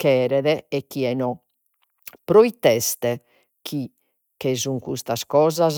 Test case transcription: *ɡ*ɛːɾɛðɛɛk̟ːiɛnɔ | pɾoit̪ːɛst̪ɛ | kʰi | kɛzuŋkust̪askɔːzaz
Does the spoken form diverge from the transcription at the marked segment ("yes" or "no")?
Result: yes